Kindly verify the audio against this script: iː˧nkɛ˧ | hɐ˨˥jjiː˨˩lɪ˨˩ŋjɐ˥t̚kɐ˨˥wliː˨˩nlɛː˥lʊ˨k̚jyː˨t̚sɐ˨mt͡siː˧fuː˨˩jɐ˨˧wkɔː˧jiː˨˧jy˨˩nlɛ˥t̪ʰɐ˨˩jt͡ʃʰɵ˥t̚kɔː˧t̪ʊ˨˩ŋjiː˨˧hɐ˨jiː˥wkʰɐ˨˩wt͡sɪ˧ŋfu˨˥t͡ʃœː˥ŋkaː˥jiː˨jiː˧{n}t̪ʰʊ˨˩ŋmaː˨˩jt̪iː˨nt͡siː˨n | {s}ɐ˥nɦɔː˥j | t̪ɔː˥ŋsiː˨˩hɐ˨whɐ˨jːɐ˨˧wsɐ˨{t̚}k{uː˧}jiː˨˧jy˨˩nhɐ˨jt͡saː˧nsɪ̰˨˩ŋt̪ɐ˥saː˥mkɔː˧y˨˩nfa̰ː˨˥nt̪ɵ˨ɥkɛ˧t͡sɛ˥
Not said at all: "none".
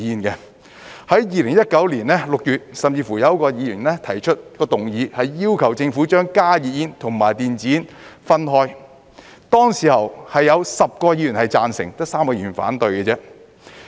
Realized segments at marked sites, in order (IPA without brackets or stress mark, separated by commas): n, f, p̚, ɔː˧